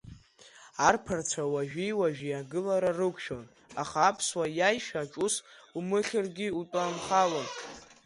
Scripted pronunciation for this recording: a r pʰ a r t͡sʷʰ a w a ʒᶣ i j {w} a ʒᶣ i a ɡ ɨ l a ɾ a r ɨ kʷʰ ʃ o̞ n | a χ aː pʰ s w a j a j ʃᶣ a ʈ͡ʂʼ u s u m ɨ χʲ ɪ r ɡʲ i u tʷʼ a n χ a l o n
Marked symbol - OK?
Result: yes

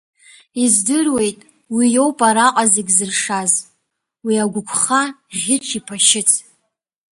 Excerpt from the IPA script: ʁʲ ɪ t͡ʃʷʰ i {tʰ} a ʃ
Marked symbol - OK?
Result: no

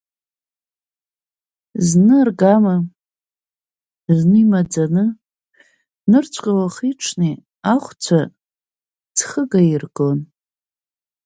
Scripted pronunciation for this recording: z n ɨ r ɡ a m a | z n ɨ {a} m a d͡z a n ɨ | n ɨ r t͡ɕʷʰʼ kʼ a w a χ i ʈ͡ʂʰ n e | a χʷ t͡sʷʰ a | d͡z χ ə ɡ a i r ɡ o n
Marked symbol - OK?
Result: no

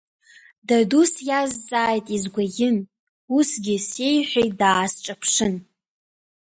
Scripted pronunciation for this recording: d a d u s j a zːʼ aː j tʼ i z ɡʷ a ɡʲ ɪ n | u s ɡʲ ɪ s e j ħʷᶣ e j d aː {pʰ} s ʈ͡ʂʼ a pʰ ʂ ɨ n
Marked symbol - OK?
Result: no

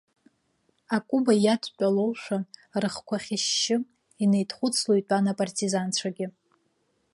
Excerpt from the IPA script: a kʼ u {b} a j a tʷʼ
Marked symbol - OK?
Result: yes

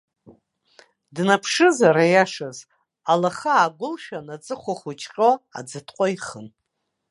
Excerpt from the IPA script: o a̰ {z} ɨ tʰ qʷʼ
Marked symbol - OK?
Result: no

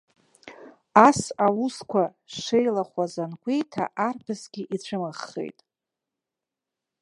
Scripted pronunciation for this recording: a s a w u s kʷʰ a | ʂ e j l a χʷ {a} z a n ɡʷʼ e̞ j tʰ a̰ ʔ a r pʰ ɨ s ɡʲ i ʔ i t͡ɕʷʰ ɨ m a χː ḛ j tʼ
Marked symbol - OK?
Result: yes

